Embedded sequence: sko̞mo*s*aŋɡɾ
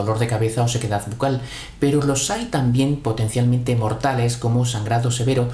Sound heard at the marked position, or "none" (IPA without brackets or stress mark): s